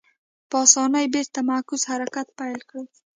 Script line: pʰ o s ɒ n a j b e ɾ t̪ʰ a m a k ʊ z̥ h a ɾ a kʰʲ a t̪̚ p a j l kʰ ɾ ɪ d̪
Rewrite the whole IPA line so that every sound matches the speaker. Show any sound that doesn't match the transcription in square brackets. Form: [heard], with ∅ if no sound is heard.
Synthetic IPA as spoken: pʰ [ɒ] s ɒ n a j b e ɾ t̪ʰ a m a k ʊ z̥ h a ɾ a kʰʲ a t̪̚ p a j l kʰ ɾ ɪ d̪